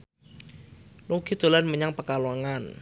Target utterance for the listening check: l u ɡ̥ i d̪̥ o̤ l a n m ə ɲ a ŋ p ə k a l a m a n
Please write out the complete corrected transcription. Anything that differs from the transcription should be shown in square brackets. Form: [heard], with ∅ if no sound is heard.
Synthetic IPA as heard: l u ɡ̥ i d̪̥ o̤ l a n m ə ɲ a ŋ p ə k a l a [ŋ] a n

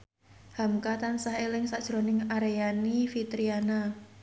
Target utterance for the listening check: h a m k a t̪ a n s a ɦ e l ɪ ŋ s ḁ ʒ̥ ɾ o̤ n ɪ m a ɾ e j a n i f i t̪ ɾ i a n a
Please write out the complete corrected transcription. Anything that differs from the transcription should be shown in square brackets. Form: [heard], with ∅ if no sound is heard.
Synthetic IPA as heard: h a m k a t̪ a n s a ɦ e l ɪ ŋ s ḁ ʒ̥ ɾ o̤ n ɪ [ŋ] a ɾ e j a n i f i t̪ ɾ i a n a

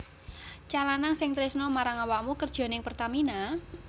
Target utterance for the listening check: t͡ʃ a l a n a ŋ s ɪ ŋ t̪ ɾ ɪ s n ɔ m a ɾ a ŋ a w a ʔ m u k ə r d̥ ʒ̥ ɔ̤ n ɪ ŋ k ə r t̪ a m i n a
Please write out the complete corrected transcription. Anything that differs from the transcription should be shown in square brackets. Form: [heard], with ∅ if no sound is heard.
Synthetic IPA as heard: t͡ʃ a l a n a ŋ s ɪ ŋ t̪ ɾ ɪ s n ɔ m a ɾ a ŋ a w a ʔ m u k ə r d̥ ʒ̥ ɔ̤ n ɪ ŋ [p] ə r t̪ a m i n a

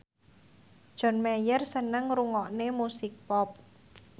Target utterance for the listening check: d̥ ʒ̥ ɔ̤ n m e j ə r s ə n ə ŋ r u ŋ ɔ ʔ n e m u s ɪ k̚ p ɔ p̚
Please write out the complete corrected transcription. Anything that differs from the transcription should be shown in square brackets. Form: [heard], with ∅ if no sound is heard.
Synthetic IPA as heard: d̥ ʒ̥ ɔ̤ n m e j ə r s ə n ə ŋ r u ŋ ɔ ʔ n e m u s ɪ k̚ p ɔ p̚

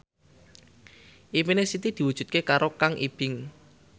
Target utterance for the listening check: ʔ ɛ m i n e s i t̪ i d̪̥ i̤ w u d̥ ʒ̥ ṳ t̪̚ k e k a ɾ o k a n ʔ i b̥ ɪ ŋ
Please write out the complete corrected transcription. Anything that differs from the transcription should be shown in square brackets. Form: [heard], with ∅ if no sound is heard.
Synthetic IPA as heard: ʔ [i] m i n e s i t̪ i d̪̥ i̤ w u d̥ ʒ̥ ṳ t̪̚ k e k a ɾ o k a [ŋ] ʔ i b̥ ɪ ŋ

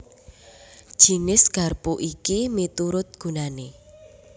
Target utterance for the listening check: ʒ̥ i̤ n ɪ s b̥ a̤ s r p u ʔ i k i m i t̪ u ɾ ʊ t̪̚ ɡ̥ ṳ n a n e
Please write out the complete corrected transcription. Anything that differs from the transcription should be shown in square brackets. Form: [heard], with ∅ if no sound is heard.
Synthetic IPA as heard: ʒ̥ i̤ n ɪ s [ɡ̥] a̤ [∅] r p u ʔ i k i m i t̪ u ɾ ʊ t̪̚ ɡ̥ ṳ n a n e

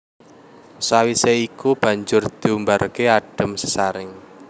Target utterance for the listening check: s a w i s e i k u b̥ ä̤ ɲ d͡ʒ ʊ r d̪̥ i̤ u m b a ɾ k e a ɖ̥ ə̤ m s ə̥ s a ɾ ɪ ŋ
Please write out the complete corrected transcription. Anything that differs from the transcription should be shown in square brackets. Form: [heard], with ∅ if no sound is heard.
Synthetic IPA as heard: s a w i s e i k u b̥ ä̤ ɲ d͡ʒ ʊ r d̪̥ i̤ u m b a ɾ k e a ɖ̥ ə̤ m s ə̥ s a ɾ ɪ ŋ

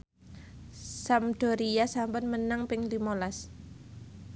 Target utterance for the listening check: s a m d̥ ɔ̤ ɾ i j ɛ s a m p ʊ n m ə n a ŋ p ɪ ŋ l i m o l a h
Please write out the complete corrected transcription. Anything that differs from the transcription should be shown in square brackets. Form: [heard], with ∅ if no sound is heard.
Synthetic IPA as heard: s a m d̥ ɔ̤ ɾ i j [a] s a m p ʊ n m ə n a ŋ p ɪ ŋ l i m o l a [s]

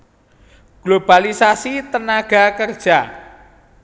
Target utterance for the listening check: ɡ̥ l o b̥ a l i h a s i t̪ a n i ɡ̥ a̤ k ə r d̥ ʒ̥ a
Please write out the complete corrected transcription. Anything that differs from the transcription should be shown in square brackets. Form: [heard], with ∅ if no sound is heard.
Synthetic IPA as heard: ɡ̥ l o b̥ a l i [s] a s i t̪ [ə] n [a] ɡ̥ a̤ k ə r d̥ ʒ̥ a

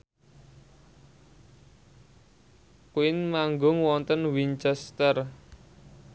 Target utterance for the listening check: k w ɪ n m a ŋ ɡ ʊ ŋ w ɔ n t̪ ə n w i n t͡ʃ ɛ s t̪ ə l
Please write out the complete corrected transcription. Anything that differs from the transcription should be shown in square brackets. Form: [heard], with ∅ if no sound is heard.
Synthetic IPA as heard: k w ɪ n m a ŋ ɡ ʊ ŋ w ɔ n t̪ ə n w i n t͡ʃ ɛ s t̪ ə [r]

